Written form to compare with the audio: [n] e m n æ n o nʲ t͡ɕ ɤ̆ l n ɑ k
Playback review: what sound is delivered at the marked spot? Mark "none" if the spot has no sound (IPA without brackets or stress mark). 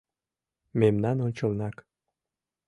m